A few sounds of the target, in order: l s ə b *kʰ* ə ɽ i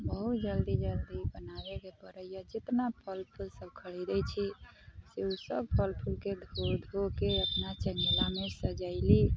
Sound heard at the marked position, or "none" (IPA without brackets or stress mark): kʰ